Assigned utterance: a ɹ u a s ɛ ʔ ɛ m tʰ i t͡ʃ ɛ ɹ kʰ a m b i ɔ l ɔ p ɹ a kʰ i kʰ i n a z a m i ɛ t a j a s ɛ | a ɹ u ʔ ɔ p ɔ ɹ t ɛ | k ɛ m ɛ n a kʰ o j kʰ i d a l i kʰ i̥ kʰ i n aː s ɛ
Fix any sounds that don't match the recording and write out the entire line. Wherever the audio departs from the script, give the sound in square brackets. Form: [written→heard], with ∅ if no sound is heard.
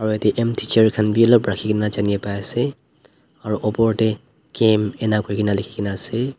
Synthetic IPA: a ɹ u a [s→t] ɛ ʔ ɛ m tʰ i t͡ʃ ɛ ɹ kʰ a [m→n] b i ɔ l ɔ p ɹ a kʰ i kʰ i n a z a [m→n] i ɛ [t→p] a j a s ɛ | a ɹ u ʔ ɔ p ɔ ɹ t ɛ | k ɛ m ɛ n a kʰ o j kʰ i [d→n] a l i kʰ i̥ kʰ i n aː s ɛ